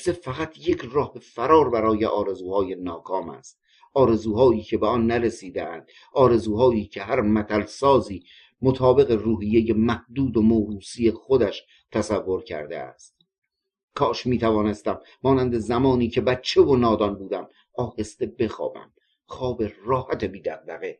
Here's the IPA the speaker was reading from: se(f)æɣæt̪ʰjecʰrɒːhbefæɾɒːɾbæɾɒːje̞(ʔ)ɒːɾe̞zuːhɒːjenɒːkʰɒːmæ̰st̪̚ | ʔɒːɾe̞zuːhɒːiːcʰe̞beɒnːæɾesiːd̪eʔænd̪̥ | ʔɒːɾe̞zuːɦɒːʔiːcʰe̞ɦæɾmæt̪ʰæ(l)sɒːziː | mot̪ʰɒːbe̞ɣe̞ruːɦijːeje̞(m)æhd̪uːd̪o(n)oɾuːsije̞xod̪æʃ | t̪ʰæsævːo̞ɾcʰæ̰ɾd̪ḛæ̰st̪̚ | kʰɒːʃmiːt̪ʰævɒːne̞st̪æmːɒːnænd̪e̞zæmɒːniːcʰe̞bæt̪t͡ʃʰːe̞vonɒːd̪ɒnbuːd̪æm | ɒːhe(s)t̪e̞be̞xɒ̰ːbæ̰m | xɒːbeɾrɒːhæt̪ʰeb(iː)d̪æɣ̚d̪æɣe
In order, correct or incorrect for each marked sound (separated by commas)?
correct, correct, correct, correct, incorrect, correct, correct